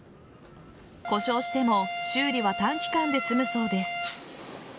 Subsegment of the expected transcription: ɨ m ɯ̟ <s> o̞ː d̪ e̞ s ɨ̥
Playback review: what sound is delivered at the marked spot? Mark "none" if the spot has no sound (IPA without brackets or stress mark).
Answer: s